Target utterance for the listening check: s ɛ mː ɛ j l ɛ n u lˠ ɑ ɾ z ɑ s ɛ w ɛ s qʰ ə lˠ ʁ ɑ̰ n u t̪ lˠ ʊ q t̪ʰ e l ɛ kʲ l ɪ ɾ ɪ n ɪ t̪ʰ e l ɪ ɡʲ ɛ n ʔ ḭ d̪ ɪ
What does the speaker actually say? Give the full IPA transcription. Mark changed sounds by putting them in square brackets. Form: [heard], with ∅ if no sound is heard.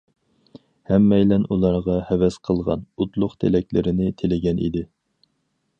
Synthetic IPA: [h] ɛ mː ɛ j l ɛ n u lˠ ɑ ɾ [ʁ] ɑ [h] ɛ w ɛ s qʰ ə lˠ ʁ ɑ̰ n u t̪ lˠ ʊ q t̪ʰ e l ɛ kʲ l ɪ ɾ ɪ n ɪ t̪ʰ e l ɪ ɡʲ ɛ n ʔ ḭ d̪ ɪ